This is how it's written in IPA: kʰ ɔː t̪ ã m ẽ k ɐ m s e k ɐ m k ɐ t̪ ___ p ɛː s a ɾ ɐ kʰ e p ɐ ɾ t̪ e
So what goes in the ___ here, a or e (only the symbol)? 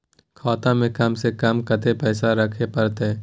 e